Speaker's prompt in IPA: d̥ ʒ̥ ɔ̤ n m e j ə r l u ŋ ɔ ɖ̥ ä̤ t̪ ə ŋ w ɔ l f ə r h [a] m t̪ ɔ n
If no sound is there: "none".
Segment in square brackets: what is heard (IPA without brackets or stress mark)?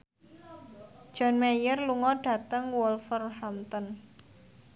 a